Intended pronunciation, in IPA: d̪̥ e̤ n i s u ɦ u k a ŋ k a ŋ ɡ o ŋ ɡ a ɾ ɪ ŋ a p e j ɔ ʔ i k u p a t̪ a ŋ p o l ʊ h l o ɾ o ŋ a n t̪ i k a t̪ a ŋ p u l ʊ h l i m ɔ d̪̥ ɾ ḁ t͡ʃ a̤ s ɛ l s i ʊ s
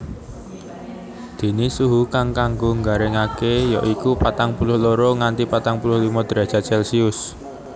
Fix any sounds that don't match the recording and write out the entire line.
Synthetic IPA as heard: d̪̥ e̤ n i s u ɦ u k a ŋ k a ŋ ɡ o ŋ ɡ a ɾ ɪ ŋ a k e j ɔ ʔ i k u p a t̪ a ŋ p u l ʊ h l o ɾ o ŋ a n t̪ i p a t̪ a ŋ p u l ʊ h l i m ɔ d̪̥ ɾ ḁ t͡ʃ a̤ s ɛ l s i ʊ s